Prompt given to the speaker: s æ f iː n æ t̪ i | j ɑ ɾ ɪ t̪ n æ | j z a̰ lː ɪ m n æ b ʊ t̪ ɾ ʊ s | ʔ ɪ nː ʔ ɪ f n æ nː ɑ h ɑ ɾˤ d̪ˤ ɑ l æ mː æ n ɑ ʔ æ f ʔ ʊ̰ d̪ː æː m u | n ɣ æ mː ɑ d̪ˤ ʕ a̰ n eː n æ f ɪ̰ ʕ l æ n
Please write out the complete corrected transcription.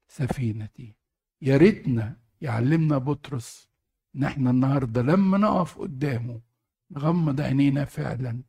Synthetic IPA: s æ f iː n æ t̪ i | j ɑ ɾ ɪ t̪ n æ | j ʕ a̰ lː ɪ m n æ b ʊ t̪ ɾ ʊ s | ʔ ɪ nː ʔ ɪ ħ n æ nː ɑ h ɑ ɾˤ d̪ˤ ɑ l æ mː æ n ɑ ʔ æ f ʔ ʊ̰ d̪ː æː m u | n ɣ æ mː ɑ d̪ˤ ʕ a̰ n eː n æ f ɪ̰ ʕ l æ n